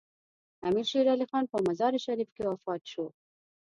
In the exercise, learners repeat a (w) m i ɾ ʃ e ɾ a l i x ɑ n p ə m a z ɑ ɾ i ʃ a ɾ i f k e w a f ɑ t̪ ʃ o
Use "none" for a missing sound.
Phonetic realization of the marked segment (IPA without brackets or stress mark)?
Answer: none